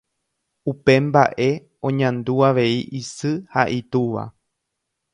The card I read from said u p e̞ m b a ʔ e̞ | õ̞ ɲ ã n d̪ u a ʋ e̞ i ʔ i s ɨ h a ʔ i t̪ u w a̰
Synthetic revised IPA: u p e̞ m b a ʔ e̞ | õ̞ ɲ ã n d̪ u a ʋ e̞ i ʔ i s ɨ h a ʔ i t̪ u ʋ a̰